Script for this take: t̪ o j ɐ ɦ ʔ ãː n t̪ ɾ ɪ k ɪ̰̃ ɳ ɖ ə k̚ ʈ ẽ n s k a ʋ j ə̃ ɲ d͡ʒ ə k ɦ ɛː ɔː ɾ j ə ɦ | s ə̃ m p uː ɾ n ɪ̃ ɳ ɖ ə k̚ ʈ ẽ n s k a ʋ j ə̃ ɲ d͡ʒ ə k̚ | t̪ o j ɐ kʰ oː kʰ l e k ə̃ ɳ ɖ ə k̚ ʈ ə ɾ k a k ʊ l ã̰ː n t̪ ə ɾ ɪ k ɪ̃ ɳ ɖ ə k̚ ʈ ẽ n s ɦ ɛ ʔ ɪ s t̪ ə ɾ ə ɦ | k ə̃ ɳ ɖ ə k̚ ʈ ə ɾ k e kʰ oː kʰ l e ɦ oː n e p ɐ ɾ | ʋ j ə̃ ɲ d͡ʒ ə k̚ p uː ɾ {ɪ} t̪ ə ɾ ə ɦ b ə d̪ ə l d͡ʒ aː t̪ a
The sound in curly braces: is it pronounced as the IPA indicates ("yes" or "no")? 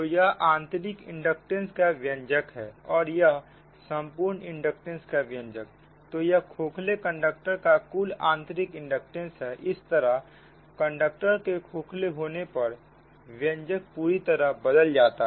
no